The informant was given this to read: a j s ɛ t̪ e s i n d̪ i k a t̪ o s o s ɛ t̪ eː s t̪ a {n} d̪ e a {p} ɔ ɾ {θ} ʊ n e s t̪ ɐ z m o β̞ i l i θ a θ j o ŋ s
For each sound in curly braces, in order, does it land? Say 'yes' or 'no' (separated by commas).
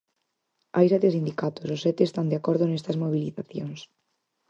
yes, no, no